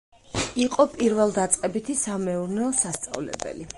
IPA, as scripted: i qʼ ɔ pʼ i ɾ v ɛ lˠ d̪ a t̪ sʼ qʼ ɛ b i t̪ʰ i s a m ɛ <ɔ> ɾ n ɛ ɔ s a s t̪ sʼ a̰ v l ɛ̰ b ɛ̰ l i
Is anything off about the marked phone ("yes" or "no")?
yes